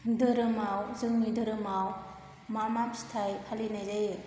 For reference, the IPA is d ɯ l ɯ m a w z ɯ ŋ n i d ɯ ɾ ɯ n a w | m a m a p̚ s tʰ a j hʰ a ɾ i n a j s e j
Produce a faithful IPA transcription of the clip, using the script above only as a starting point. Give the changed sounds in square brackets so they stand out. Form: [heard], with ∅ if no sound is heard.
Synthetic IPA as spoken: d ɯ [ɾ] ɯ m a w z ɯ ŋ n i d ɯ ɾ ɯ [m] a w | m a m a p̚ s tʰ a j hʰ a [l] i n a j [z] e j